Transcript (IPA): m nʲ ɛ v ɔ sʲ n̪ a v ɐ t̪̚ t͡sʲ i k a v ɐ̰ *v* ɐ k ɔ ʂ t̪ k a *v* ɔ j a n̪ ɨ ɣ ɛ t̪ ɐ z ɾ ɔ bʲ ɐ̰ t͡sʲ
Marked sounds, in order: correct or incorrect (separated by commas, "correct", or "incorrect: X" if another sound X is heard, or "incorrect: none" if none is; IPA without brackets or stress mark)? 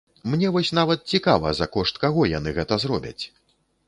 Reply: incorrect: z, incorrect: ɣ